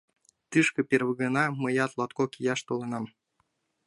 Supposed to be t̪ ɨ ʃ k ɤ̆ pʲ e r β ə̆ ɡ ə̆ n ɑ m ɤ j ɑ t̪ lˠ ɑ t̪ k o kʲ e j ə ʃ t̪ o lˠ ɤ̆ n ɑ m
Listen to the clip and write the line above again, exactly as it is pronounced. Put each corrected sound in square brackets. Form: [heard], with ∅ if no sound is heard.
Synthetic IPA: t̪ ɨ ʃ k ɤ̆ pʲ e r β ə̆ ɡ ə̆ n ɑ m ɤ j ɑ t̪ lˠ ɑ t̪ k o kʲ [i] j [ɑ] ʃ t̪ o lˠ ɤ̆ n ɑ m